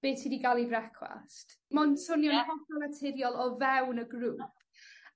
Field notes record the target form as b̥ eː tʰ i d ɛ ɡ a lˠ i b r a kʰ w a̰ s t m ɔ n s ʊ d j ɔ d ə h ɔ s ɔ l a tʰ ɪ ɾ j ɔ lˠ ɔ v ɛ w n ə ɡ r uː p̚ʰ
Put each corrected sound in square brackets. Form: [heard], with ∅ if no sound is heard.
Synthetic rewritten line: b̥ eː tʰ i d [i] ɡ a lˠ i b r [ɛ] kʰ w a̰ s t m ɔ n s ʊ [n] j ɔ [n] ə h ɔ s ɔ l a tʰ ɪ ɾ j ɔ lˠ ɔ v ɛ w n ə ɡ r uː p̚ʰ